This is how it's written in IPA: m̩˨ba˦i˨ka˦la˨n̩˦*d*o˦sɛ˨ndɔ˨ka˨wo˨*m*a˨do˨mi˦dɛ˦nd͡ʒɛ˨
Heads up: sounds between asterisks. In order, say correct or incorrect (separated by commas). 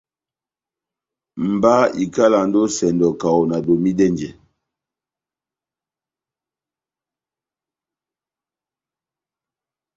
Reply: correct, incorrect